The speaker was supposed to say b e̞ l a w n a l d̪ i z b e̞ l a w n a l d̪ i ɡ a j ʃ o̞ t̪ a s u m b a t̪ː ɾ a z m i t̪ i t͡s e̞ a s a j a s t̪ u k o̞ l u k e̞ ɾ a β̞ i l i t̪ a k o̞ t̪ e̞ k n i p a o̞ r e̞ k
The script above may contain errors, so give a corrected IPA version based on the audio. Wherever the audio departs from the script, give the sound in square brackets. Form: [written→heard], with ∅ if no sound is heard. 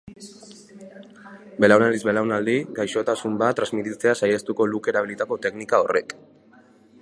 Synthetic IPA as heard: b e̞ l a w n a l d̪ i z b e̞ l a w n a l d̪ i ɡ a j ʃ o̞ t̪ a s u m b a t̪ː ɾ a z m i t̪ i t͡s e̞ a s a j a s t̪ u k o̞ l u k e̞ ɾ a β̞ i l i t̪ a k o̞ t̪ e̞ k n i [p→k] a o̞ r e̞ k